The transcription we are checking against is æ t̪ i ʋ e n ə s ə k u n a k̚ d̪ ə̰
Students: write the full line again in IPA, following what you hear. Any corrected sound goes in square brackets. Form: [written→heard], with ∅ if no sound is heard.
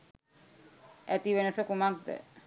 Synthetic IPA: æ t̪ i ʋ e n ə s ə k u [n→m] a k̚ d̪ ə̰